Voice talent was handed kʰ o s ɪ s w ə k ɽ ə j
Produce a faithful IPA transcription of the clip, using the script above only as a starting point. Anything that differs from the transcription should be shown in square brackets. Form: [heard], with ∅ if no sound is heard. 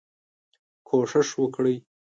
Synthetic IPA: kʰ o [ʂ] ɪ [ʂ] w ə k ɽ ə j